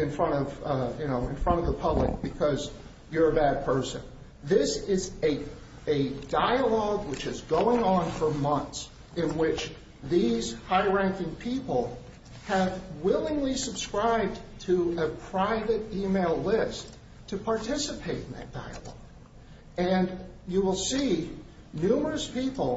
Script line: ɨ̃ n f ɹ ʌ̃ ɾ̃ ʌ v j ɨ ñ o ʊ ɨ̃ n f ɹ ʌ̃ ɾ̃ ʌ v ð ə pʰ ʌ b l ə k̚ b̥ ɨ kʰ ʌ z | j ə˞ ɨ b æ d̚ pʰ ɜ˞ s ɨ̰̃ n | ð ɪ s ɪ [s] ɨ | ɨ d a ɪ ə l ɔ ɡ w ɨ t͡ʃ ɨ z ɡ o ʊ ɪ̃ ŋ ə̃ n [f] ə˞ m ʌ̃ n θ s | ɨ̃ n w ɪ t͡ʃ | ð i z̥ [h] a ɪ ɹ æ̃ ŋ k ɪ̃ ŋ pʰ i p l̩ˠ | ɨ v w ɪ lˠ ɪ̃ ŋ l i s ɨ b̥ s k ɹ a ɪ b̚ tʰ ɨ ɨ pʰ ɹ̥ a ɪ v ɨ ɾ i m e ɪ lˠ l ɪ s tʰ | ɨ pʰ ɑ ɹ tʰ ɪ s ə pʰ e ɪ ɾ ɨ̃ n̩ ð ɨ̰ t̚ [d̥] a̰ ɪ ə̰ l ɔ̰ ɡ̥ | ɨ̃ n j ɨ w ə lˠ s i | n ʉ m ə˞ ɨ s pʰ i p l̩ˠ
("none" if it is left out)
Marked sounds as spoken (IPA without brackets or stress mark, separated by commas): z, f, h, d̥